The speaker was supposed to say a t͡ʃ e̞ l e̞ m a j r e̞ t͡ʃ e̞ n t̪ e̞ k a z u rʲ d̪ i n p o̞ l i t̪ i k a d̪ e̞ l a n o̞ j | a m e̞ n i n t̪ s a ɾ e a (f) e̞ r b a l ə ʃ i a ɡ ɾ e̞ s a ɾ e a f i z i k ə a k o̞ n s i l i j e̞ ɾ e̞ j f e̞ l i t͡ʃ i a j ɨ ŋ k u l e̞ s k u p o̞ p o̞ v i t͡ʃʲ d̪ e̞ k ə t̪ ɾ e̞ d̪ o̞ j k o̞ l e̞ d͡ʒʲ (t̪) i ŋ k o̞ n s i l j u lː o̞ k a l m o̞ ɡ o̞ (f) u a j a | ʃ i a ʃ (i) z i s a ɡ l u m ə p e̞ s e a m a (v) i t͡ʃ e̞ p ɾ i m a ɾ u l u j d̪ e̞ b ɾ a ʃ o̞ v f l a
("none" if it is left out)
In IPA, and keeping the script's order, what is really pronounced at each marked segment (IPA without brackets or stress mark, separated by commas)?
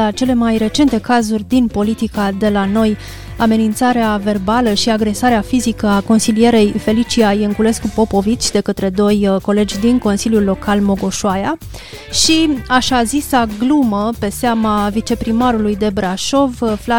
v, d̪, ʃ, a, v